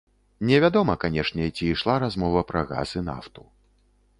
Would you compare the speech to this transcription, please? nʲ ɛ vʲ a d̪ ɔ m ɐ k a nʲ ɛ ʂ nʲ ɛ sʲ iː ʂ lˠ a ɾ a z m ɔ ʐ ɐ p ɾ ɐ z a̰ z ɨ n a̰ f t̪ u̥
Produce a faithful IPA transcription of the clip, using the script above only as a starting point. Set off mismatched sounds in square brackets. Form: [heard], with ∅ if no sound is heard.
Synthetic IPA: nʲ ɛ vʲ a d̪ ɔ m ɐ k a nʲ ɛ ʂ nʲ ɛ [t͡sʲ] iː ʂ lˠ a ɾ a z m ɔ [v] ɐ p ɾ ɐ [ɣ] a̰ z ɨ n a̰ f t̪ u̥

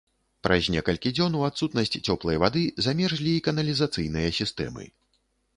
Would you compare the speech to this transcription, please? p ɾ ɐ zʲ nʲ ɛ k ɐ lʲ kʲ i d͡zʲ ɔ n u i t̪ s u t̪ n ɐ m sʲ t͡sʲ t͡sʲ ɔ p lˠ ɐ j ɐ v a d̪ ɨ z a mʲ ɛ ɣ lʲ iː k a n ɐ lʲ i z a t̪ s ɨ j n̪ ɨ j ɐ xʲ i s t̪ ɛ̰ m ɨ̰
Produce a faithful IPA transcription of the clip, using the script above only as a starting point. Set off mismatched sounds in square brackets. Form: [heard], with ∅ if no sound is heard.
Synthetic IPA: p ɾ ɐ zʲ nʲ ɛ k ɐ lʲ kʲ i d͡zʲ ɔ n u [a] t̪ s u t̪ n ɐ [∅] sʲ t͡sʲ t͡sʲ ɔ p lˠ ɐ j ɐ v a d̪ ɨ z a mʲ ɛ [ʐ] lʲ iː k [ɐ] n ɐ lʲ i z a t̪ s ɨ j n̪ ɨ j ɐ [sʲ] i s t̪ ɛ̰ m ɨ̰

